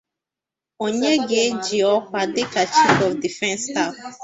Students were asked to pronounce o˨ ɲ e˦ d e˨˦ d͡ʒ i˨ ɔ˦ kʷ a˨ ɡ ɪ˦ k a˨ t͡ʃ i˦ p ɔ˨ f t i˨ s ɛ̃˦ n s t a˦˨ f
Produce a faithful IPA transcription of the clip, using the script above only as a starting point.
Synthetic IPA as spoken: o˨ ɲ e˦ ɡ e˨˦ d͡ʒ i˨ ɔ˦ kʷ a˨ d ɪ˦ k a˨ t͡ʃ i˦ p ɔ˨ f d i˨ f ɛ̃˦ n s t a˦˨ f